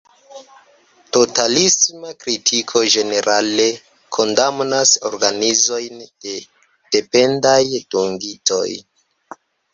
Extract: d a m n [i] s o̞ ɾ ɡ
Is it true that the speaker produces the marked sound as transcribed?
no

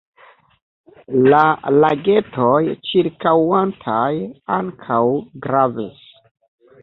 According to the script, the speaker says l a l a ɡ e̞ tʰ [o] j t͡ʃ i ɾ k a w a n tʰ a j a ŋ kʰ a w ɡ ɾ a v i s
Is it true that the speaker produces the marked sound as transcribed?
yes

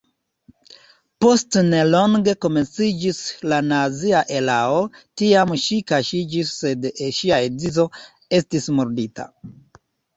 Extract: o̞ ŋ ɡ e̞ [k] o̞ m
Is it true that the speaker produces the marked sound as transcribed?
yes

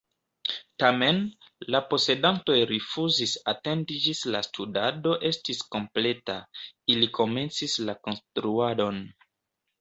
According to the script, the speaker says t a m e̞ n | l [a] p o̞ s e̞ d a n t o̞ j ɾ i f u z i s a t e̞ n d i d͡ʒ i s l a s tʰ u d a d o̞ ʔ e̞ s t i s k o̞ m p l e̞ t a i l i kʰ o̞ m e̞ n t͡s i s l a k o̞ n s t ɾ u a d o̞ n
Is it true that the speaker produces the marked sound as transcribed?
yes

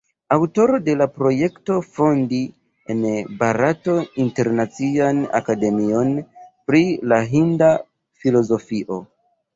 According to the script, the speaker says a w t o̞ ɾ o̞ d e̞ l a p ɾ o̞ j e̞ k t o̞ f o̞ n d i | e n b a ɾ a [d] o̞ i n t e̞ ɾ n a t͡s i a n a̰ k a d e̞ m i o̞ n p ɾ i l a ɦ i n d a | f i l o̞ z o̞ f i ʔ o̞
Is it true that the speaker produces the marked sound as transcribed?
no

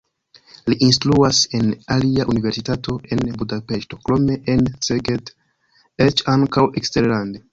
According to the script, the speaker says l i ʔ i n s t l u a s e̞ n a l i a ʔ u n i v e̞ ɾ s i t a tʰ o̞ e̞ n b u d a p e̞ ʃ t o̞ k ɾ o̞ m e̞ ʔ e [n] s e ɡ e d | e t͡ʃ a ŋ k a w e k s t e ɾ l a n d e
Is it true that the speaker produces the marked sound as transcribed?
yes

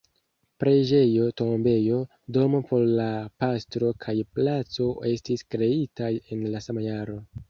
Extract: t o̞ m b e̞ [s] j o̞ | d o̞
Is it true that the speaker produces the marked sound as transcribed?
no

